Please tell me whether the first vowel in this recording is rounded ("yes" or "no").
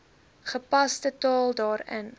no